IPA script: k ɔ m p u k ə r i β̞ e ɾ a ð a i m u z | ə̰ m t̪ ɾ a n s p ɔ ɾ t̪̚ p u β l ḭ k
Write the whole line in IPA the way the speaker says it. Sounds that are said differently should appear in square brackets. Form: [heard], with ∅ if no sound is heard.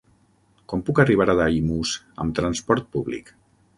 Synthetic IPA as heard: k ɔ m p u k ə r i β̞ [a] ɾ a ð a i m u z | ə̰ m t̪ ɾ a n s p ɔ ɾ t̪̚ p u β l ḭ k